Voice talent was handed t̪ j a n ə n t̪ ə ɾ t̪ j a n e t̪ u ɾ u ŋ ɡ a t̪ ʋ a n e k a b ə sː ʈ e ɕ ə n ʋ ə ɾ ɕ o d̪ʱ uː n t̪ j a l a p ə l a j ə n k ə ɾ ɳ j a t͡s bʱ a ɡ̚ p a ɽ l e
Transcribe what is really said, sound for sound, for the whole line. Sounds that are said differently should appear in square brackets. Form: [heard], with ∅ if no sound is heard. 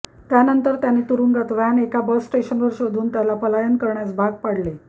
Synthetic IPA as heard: t̪ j a n ə n t̪ ə ɾ t̪ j a n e t̪ u ɾ u ŋ ɡ a t̪ ʋ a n e k a b ə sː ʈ e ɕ ə n ʋ ə ɾ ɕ o d̪ʱ uː n t̪ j a l a p ə l a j ə n k ə ɾ ɳ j a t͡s bʱ a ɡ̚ p a ɽ l e